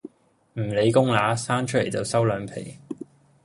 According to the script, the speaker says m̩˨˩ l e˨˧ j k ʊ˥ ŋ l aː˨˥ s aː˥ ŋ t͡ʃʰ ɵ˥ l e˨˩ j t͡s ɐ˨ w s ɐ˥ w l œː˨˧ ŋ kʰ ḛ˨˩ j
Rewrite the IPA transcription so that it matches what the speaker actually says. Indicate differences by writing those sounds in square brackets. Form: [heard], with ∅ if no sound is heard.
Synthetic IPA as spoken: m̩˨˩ l e˨˧ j k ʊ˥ ŋ l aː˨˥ s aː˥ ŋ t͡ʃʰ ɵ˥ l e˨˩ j t͡s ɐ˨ w s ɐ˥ w l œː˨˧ ŋ [pʰ] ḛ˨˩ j